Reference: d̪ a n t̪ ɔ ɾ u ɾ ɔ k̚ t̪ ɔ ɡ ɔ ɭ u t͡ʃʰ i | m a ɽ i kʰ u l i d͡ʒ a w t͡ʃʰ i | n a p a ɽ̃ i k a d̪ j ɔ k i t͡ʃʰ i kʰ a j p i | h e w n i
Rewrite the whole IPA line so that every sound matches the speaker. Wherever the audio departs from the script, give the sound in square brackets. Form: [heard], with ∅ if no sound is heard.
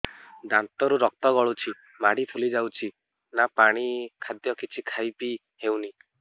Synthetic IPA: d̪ a n t̪ ɔ ɾ u ɾ ɔ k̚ t̪ ɔ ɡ ɔ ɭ u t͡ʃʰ i | m a ɽ i [pʰ] u l i d͡ʒ a w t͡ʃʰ i | n a p a ɽ̃ i [kʰ] a d̪ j ɔ k i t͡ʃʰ i kʰ a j p i | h e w n i